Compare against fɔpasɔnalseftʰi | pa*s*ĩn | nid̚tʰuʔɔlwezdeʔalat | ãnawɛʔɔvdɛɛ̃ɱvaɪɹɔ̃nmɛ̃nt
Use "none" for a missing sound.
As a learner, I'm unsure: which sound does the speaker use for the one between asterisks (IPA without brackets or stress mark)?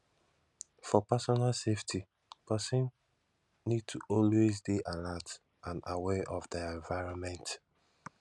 s